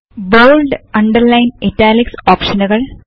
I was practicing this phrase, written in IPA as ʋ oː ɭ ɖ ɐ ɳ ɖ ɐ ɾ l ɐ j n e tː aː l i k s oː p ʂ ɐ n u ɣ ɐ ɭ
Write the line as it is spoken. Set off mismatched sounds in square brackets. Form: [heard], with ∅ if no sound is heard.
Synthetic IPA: ʋ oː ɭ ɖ ɐ ɳ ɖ ɐ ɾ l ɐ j n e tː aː l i k s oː p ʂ ɐ n u ɣ ɐ ɭ